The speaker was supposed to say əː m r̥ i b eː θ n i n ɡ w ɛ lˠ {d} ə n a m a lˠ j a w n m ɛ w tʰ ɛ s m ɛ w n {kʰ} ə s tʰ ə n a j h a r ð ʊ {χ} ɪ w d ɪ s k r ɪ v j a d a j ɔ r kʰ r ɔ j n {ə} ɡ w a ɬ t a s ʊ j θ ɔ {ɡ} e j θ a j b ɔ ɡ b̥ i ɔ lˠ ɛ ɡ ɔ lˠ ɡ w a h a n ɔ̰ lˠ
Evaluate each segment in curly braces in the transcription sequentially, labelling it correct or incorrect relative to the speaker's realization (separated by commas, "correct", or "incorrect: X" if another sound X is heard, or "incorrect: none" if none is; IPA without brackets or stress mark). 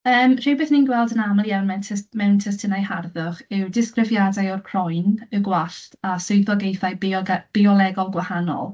correct, incorrect: tʰ, correct, correct, correct